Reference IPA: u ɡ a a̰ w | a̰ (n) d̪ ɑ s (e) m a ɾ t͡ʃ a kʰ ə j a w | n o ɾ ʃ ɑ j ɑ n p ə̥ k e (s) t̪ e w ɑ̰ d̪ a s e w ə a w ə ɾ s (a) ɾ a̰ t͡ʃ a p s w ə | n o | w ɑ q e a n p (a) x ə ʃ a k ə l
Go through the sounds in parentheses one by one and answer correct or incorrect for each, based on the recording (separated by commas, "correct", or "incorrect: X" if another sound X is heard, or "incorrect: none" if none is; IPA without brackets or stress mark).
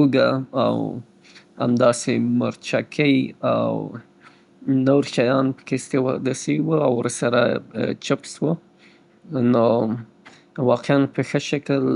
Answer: incorrect: m, correct, correct, correct, incorrect: ə